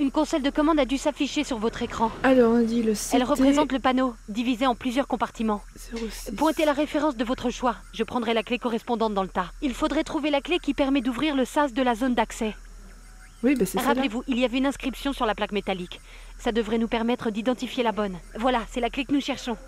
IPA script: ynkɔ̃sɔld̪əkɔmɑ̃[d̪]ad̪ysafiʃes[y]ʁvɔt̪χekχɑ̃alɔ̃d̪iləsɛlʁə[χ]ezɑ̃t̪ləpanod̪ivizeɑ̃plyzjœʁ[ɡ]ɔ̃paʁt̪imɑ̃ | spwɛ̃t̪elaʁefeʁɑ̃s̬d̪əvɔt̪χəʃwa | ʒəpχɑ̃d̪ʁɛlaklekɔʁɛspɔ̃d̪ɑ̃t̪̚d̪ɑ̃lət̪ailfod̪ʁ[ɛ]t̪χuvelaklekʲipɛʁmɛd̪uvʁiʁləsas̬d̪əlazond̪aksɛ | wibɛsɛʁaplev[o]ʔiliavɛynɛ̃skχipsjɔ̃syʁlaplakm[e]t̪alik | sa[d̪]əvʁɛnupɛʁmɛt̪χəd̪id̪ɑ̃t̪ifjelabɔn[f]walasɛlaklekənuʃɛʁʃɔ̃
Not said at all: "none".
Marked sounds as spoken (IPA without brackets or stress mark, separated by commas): d̪, y, χ, k, ɛ, u, e, d̪, v